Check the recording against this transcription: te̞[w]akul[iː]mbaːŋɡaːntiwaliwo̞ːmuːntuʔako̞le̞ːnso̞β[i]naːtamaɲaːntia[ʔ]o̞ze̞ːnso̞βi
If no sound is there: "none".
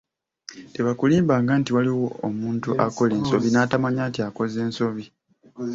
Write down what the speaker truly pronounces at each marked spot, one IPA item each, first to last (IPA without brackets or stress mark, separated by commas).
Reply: β, iː, i, k